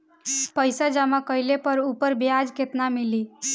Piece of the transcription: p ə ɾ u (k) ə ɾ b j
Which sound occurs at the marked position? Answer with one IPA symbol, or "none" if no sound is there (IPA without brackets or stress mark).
p